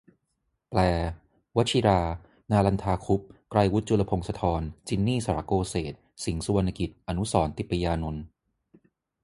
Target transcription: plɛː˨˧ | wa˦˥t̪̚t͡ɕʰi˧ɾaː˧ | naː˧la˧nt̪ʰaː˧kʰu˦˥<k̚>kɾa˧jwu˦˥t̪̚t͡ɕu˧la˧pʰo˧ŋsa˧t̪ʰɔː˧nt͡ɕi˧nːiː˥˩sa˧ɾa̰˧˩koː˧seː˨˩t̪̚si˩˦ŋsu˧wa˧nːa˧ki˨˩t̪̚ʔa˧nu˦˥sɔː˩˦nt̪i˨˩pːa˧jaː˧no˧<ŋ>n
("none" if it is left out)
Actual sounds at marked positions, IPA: p̚, none

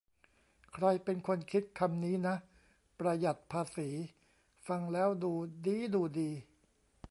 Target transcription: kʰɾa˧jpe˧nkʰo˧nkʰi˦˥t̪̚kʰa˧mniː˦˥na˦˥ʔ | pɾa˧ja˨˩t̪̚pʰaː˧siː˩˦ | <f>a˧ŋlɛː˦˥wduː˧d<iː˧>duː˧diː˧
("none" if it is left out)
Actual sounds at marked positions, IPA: f, iː˦˥

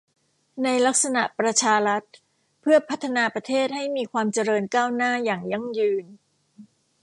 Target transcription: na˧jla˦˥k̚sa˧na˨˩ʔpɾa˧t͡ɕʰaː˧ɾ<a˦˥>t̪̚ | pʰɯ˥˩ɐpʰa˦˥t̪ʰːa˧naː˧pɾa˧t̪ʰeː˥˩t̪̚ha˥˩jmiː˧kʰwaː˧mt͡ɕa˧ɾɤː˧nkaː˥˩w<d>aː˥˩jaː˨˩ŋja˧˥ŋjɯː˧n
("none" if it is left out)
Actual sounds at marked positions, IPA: a˦˥, n

